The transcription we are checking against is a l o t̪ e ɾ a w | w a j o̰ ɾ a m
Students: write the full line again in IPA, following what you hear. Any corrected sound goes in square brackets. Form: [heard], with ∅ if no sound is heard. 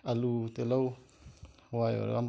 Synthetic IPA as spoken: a l [u] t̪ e [l] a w | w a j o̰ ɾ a m